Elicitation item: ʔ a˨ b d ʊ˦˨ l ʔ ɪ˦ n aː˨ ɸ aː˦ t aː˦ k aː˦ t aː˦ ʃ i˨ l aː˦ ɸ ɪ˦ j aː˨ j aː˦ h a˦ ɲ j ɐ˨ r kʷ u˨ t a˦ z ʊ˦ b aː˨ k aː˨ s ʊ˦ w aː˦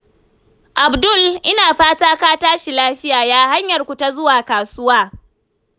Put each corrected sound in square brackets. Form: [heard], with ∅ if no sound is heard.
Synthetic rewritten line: ʔ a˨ b d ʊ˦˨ l ʔ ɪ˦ n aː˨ ɸ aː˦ t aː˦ k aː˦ t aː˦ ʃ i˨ l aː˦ ɸ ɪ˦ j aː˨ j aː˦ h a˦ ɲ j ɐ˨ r kʷ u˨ t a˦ z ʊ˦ [w] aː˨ k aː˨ s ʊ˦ w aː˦